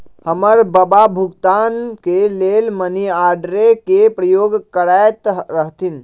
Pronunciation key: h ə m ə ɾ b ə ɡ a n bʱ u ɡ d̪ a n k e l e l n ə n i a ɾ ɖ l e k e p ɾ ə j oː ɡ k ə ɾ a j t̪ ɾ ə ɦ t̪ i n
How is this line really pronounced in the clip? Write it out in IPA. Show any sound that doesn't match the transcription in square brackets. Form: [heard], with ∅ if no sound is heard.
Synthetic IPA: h ə m ə ɾ b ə [b] a [∅] bʱ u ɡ [t̪] a n k e l e l [m] ə n i a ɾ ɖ [ɾ] e k e p ɾ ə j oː ɡ k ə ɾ a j t̪ ɾ ə ɦ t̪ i n

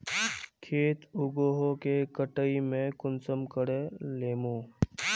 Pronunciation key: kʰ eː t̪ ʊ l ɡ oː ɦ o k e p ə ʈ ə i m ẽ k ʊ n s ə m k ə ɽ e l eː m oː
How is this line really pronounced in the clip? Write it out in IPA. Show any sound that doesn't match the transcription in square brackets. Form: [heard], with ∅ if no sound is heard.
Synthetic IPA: kʰ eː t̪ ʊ [∅] ɡ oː ɦ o k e [k] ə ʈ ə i m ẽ k ʊ n s ə m k ə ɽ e l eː m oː

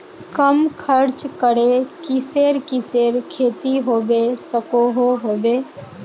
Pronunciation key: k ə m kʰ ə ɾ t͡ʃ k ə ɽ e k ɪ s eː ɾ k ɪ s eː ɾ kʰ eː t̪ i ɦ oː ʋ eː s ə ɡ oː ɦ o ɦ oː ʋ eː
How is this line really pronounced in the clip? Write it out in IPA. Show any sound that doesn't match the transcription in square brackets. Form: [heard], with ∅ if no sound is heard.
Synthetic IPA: k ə m kʰ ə ɾ t͡ʃ k ə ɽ e k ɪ s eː ɾ k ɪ s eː ɾ kʰ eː t̪ i ɦ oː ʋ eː s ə [k] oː ɦ o ɦ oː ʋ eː

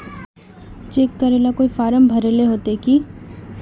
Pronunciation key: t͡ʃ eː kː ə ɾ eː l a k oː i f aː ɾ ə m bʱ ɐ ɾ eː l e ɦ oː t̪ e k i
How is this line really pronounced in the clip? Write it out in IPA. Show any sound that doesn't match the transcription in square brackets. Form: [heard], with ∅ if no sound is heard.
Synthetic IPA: t͡ʃ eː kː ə ɾ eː l a k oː i f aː ɾ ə m bʱ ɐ ɾ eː l e ɦ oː t̪ e k i

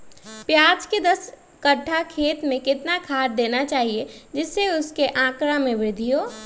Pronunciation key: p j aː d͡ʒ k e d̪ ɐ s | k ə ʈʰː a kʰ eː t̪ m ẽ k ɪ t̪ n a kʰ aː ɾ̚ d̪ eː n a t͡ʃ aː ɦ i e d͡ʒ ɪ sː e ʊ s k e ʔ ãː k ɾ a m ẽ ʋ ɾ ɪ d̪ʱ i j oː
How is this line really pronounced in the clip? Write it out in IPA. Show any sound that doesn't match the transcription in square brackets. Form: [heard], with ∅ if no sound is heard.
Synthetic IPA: p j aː d͡ʒ k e d̪ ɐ s | k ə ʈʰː a kʰ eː t̪ m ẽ k ɪ t̪ n a kʰ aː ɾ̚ d̪ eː n a t͡ʃ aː ɦ i e d͡ʒ ɪ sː e ʊ s k e ʔ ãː k ɾ a m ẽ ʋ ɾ ɪ d̪ʱ i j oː

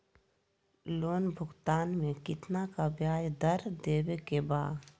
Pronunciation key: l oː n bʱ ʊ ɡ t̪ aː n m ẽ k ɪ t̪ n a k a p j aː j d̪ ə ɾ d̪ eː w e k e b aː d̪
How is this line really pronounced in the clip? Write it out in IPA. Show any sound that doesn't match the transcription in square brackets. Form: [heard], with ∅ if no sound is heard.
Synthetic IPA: l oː n bʱ ʊ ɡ t̪ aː n m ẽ k ɪ t̪ n a k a [b] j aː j d̪ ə ɾ d̪ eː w e k e b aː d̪

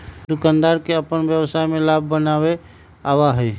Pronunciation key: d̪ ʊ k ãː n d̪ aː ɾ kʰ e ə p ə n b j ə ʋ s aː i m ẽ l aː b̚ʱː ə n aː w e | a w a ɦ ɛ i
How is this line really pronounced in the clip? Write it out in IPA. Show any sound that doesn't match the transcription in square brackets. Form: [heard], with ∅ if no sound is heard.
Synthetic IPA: d̪ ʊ k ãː n d̪ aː ɾ [k] e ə p ə n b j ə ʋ s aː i m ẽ l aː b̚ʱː ə n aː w e | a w a ɦ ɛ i

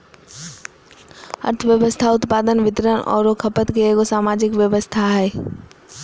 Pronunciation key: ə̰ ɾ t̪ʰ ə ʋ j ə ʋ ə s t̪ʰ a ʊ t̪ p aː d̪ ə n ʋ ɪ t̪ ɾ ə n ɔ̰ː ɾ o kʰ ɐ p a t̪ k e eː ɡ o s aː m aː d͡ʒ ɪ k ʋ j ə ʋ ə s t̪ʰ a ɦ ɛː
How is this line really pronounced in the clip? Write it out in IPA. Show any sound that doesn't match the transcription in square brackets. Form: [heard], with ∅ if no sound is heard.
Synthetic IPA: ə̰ ɾ t̪ʰ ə ʋ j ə ʋ ə s t̪ʰ a ʊ t̪ p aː d̪ ə n ʋ ɪ t̪ ɾ ə n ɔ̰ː ɾ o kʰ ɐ p [ə] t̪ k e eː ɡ o s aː m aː d͡ʒ ɪ k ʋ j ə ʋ ə s t̪ʰ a ɦ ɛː

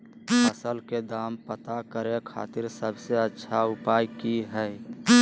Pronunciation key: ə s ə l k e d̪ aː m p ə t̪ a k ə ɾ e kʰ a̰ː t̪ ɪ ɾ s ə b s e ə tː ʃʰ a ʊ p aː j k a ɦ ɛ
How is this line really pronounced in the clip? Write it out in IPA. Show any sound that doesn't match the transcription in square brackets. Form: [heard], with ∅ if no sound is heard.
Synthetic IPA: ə s ə l k e d̪ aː m p ə t̪ a k ə ɾ e kʰ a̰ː t̪ ɪ ɾ s ə b s e ə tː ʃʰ a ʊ p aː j k [i] ɦ ɛ

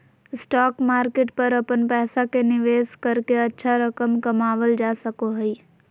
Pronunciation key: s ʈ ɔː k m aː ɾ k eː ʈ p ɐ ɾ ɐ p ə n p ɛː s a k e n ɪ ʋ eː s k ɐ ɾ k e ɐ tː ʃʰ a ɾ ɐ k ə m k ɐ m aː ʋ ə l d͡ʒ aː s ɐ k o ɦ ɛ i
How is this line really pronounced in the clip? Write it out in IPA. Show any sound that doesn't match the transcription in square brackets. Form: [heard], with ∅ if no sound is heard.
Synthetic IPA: s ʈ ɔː k m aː ɾ k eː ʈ p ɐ ɾ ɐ p ə n p ɛː s a k e n ɪ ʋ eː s k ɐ ɾ k e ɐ tː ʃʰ a ɾ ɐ k ə m k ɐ m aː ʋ ə l d͡ʒ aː s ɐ k o ɦ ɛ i

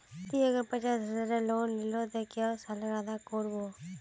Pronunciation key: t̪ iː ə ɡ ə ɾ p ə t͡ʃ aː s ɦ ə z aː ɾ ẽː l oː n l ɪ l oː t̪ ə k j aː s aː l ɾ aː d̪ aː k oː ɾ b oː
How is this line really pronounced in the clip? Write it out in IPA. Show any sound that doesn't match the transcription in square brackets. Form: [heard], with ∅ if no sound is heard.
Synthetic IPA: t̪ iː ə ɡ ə ɾ p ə t͡ʃ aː s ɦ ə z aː ɾ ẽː l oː n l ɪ l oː t̪ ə k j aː s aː l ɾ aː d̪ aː k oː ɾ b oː

